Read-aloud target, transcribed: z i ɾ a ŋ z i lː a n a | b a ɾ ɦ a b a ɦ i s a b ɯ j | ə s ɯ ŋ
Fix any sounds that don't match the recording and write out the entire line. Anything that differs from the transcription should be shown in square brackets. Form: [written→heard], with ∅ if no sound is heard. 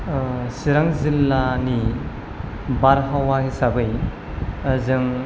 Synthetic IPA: [z→s] i ɾ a ŋ z i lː a n [a→i] | b a ɾ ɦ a [b→w] a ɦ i s a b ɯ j | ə [s→z] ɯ ŋ